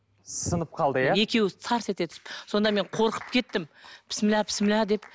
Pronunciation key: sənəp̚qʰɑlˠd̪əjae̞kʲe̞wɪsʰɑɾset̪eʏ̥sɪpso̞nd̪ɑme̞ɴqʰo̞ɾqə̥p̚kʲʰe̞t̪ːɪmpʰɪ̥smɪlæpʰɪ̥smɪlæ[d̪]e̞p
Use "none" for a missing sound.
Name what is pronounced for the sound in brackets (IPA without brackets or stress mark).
d̪